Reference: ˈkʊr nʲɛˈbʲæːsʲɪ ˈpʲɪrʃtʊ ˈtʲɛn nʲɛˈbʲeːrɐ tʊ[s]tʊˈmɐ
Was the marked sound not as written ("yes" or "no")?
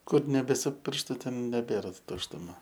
yes